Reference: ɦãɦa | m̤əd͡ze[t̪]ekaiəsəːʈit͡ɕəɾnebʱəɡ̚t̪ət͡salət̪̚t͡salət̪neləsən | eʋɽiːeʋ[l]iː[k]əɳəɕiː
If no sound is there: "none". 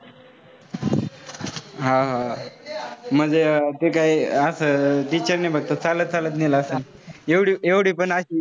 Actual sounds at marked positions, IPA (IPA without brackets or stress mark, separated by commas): t̪, ɽ, p